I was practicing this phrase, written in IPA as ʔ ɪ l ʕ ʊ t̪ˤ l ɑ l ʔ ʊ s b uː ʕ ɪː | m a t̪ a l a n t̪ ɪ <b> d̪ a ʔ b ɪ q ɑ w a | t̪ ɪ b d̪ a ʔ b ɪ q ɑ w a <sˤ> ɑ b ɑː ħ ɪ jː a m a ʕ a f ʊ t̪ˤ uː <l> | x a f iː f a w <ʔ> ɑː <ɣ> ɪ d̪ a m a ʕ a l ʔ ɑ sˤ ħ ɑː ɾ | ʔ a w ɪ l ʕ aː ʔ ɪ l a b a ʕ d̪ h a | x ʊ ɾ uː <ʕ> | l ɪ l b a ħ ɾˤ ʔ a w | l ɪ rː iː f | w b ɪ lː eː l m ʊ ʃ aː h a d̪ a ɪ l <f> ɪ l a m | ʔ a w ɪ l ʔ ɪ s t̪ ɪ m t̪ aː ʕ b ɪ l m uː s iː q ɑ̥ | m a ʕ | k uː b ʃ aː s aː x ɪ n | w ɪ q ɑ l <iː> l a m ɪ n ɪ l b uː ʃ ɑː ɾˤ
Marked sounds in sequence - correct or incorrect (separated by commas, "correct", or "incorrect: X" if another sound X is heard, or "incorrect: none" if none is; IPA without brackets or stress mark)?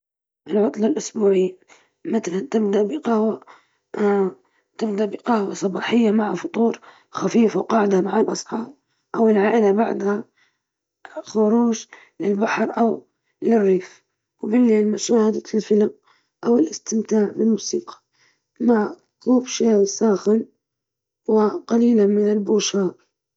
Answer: correct, correct, incorrect: ɾ, incorrect: q, incorrect: ʕ, incorrect: ʒ, correct, correct